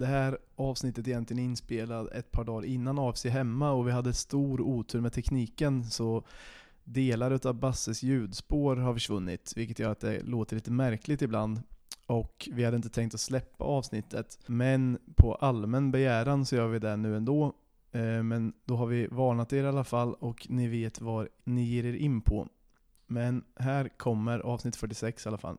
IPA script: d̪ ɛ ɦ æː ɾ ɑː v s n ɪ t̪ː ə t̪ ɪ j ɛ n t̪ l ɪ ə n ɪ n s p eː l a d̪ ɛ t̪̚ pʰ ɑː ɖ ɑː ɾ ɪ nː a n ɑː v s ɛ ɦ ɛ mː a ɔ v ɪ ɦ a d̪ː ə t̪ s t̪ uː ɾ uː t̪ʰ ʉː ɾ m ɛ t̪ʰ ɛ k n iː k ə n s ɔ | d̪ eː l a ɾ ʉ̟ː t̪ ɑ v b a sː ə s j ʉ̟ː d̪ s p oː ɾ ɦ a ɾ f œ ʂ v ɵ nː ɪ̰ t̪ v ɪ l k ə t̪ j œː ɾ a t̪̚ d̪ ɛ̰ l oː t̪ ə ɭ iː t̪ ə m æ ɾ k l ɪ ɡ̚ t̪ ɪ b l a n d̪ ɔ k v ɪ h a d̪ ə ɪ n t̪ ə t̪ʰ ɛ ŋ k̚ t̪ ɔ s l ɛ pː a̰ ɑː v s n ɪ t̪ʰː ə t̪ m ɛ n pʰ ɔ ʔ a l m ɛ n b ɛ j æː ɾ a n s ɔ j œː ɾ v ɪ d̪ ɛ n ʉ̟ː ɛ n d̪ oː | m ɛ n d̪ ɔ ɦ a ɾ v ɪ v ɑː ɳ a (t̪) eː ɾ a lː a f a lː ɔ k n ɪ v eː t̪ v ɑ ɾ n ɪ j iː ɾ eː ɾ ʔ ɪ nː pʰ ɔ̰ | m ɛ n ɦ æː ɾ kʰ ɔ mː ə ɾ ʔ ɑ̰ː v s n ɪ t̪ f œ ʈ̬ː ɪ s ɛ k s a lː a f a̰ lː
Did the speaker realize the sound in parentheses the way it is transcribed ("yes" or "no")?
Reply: yes